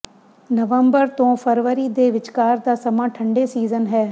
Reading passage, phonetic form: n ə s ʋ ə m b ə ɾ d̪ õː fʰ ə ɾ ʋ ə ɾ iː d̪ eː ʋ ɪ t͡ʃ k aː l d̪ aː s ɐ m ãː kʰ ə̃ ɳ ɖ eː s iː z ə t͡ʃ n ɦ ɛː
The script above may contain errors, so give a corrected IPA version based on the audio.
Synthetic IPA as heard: n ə ʋ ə m b ə ɾ t̪ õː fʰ ə ɾ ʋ ə ɾ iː d̪ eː ʋ ɪ t͡ʃ k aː ɾ d̪ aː s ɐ m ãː ʈʰ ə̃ ɳ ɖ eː s iː z ə n ɦ ɛː